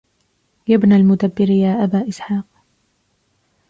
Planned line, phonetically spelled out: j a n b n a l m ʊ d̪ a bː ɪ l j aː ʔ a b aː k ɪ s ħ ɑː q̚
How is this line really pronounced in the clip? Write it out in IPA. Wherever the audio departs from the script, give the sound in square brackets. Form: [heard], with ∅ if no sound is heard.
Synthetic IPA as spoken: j a [∅] b n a l m ʊ d̪ a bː ɪ [ɾ] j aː ʔ a b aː [ʔ] ɪ s ħ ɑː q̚

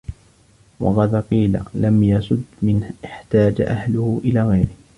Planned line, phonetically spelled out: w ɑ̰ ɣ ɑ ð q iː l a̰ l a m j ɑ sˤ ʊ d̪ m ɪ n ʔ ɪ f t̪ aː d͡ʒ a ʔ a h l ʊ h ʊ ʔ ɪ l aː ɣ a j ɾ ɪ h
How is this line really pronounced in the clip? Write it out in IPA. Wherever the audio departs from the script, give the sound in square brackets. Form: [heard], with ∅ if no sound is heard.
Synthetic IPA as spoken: w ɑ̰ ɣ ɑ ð q iː l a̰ l a m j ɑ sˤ ʊ d̪ m ɪ n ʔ ɪ [ħ] t̪ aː d͡ʒ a ʔ a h l ʊ h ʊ ʔ ɪ l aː ɣ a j ɾ ɪ h

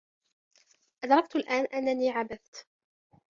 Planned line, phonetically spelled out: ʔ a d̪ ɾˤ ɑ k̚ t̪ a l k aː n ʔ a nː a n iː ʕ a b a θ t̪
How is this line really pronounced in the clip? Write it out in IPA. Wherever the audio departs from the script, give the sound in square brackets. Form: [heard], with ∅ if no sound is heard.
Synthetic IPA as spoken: ʔ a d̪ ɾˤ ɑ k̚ t̪ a l [ʔ] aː n ʔ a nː a n iː ʕ a b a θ t̪

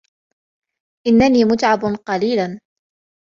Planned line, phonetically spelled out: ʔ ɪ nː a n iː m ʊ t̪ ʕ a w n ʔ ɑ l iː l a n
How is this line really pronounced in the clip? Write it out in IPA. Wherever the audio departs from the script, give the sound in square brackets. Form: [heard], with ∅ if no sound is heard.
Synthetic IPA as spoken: ʔ ɪ nː a n iː m ʊ t̪ ʕ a [b] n [q] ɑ l iː l a n

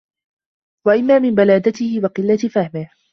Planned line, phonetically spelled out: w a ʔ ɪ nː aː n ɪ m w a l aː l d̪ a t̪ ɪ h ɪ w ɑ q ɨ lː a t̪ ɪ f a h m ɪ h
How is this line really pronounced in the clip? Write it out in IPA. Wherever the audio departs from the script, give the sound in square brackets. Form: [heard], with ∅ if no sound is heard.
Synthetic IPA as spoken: w a ʔ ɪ [mː] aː [m] ɪ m [b] a l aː [∅] d̪ a t̪ ɪ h ɪ w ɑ q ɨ lː a t̪ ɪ f a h m ɪ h

